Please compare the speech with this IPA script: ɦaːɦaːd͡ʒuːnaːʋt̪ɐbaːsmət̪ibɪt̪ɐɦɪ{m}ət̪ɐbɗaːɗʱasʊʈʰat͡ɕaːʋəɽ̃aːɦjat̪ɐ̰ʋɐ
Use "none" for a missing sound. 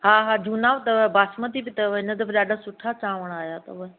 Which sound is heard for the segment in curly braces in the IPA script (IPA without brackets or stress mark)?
n